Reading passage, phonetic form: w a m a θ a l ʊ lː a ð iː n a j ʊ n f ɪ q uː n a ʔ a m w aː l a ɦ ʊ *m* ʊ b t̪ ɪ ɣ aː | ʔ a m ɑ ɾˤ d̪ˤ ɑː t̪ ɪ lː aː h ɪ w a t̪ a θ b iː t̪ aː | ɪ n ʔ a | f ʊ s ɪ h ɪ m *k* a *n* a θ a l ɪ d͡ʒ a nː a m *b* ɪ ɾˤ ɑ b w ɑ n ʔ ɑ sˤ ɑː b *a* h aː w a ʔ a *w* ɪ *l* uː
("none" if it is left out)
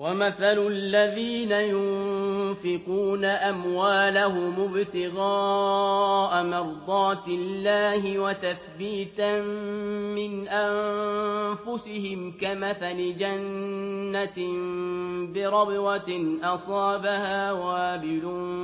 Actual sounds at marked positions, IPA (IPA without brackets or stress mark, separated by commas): m, k, m, b, a, b, l